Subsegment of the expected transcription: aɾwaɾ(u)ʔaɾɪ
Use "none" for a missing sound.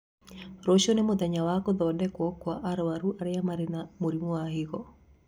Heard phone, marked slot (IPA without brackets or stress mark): u